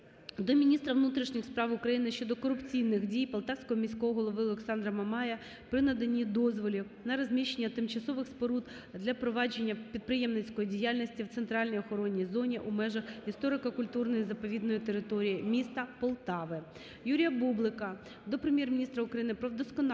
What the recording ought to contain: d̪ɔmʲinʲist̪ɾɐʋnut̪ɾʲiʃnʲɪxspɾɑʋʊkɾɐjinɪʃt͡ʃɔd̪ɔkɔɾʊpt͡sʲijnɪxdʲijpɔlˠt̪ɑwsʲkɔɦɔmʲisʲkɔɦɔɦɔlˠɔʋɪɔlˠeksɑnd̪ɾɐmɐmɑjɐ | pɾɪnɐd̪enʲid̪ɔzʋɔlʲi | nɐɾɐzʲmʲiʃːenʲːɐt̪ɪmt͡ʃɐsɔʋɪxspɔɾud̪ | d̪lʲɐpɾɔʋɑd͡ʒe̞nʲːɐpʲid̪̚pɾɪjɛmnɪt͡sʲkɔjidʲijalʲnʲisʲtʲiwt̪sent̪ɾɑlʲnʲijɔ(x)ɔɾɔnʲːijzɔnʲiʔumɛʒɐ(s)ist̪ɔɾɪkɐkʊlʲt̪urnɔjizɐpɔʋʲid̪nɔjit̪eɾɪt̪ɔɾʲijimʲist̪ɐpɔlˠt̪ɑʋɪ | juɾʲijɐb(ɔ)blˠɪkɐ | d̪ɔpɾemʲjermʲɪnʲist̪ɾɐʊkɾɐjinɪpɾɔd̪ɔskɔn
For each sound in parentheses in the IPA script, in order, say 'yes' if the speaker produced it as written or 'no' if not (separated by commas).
yes, no, no